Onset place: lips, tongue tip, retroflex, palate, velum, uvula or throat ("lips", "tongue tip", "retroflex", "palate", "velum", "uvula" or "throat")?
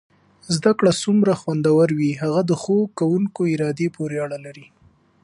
tongue tip